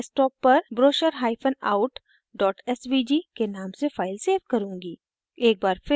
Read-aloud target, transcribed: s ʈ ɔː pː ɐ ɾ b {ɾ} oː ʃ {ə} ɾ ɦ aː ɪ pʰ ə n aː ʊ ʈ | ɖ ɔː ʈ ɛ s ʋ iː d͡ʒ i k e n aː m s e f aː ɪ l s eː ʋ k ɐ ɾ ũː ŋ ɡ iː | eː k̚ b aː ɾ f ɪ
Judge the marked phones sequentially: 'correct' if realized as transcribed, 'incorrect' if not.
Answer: correct, correct

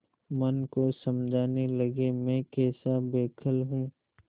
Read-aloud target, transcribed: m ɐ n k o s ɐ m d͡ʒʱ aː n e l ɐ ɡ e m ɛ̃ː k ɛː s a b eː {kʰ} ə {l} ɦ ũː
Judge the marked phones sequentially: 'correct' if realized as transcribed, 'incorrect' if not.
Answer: correct, correct

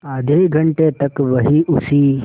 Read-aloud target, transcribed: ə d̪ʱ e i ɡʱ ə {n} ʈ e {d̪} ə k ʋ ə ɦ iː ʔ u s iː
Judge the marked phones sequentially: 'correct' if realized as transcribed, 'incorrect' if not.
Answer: incorrect, incorrect

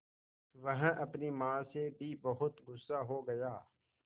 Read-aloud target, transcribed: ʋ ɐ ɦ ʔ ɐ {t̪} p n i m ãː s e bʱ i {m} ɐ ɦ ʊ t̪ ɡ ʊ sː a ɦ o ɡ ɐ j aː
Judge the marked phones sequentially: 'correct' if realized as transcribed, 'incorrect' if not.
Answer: incorrect, incorrect

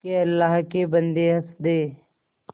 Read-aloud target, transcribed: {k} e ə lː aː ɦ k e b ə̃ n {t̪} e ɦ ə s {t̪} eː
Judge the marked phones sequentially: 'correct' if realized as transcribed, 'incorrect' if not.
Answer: correct, incorrect, incorrect

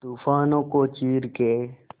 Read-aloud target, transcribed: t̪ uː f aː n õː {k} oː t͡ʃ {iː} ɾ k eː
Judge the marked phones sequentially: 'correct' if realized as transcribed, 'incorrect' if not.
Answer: correct, correct

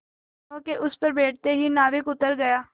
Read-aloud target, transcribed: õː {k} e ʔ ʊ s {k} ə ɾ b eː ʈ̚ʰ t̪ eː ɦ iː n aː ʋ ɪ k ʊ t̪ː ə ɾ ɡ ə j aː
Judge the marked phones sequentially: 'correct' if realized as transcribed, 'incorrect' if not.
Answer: correct, incorrect

